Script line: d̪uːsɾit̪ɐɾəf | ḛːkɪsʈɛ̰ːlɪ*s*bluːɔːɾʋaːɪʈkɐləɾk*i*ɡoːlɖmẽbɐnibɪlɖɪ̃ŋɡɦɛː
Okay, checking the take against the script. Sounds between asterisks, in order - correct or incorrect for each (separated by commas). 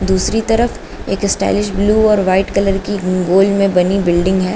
incorrect, correct